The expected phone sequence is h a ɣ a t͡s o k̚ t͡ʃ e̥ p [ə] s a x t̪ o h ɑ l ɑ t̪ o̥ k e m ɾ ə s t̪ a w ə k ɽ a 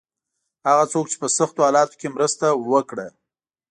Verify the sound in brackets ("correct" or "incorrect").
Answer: correct